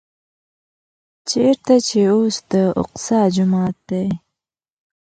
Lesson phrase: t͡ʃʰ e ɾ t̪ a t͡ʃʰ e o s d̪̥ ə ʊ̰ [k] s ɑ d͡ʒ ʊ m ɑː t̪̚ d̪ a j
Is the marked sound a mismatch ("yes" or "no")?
yes